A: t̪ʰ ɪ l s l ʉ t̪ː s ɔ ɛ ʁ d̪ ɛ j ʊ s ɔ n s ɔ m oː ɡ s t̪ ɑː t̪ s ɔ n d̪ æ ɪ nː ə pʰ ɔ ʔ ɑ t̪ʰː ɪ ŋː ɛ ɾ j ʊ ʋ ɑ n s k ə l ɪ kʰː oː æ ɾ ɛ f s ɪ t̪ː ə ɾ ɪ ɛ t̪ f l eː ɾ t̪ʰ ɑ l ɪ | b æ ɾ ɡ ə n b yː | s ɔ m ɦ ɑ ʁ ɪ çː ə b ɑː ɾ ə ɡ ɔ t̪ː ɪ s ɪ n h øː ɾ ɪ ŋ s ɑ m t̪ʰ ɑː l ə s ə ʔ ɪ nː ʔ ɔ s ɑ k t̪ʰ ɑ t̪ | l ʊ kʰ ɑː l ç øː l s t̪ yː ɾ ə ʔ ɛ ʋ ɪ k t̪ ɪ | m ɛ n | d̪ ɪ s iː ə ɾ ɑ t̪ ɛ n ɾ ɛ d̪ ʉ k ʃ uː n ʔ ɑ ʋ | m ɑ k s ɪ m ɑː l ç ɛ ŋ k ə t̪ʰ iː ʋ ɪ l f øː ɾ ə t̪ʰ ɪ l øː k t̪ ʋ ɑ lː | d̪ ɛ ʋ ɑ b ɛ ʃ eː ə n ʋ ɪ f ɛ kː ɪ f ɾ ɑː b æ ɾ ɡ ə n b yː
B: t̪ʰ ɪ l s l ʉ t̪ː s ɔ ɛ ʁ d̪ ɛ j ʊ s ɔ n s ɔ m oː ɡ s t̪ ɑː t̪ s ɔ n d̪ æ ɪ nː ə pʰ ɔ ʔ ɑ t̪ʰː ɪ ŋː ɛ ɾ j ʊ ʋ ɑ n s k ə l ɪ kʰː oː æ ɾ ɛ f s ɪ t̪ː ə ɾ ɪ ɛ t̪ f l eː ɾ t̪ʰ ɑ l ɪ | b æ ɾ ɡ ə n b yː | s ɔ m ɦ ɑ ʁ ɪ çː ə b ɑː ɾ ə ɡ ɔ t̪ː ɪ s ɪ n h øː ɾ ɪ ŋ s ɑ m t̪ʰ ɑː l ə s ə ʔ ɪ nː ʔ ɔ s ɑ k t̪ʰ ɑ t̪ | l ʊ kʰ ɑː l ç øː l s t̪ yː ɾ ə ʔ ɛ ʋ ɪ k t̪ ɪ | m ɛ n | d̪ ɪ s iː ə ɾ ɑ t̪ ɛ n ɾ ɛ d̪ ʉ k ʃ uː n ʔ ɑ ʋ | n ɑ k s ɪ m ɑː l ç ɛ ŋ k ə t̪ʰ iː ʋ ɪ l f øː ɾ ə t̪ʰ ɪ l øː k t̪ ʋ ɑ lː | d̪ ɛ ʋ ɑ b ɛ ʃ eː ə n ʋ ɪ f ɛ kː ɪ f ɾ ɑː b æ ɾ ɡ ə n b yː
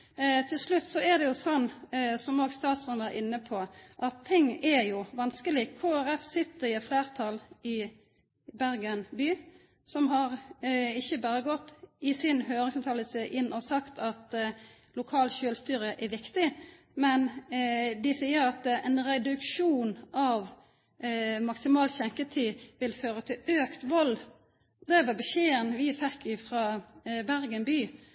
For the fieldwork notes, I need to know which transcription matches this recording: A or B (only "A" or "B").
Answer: A